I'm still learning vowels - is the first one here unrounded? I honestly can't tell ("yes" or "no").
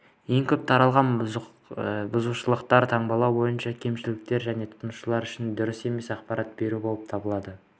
yes